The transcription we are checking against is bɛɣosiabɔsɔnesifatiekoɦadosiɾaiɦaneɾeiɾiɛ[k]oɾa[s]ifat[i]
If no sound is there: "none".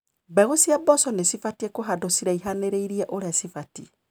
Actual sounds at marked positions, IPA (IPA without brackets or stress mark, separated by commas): ʔ, s, i